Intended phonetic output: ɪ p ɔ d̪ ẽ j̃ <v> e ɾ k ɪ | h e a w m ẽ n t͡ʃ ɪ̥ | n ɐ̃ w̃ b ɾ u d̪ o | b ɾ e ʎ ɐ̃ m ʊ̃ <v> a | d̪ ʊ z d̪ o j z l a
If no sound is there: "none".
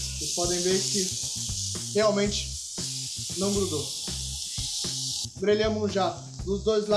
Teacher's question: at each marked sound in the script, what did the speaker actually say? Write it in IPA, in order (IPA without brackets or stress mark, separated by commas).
v, ʒ